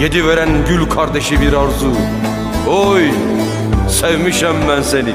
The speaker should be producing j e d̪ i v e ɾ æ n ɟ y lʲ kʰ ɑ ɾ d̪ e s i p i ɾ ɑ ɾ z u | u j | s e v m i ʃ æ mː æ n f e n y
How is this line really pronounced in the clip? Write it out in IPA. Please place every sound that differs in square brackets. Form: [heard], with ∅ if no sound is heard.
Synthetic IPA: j e d̪ i v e ɾ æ n ɟ y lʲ kʰ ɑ ɾ d̪ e [ʃ] i [b] i ɾ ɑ ɾ z u | [o] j | s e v m i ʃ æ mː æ n [s] e n [i]